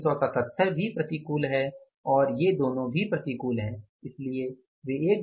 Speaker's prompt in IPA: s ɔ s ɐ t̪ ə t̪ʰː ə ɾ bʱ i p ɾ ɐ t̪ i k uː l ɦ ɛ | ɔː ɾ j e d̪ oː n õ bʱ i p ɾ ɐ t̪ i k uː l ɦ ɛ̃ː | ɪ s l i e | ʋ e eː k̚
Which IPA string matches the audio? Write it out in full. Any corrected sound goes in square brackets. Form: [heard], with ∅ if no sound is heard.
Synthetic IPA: s ɔ s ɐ t̪ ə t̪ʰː ə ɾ bʱ i p ɾ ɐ t̪ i k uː l ɦ ɛ | ɔː ɾ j e d̪ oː n õ bʱ i p ɾ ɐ t̪ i k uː l ɦ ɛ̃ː | ɪ s l i e | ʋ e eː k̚